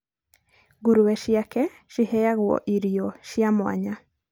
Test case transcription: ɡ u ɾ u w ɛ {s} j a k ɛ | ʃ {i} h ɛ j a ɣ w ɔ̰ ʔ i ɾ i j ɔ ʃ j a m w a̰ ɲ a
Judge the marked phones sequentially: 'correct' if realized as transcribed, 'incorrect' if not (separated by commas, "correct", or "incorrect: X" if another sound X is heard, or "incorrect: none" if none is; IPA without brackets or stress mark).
incorrect: ʃ, correct